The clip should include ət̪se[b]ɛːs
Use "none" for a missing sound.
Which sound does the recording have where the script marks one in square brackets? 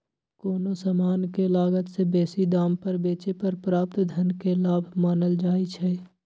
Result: b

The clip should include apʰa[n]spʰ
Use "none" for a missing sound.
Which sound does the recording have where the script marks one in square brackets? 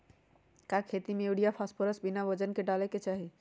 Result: none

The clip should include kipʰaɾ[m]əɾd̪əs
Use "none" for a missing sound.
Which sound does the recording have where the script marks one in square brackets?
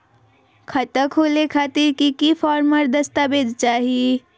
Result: m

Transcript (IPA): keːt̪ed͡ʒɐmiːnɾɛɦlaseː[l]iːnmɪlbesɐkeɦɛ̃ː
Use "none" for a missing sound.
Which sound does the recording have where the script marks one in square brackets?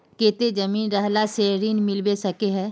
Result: ɾ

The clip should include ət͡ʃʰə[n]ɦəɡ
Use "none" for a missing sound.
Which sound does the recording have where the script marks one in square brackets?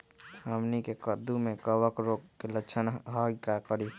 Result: n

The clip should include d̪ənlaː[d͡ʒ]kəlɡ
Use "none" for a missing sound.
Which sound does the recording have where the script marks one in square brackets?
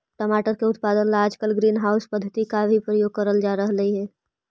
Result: d͡ʒ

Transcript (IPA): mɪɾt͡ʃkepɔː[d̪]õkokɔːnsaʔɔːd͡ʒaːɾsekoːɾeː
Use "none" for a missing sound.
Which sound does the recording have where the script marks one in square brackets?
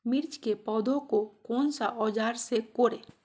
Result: d̪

